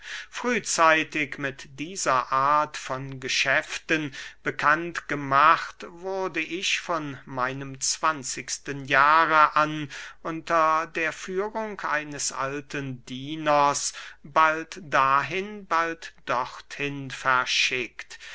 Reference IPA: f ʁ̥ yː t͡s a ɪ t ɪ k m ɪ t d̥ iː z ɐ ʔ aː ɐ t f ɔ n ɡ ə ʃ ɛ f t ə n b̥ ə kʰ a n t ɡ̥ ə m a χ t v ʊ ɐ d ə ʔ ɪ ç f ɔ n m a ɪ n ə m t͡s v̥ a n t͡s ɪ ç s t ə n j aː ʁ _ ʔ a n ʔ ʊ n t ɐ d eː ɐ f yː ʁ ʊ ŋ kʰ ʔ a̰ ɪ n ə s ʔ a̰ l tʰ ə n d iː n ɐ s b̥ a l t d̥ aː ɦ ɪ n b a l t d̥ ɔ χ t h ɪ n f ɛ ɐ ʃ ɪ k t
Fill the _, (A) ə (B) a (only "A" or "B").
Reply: A